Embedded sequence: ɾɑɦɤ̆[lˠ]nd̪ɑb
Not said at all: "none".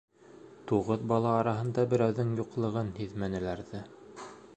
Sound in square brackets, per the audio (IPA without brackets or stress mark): none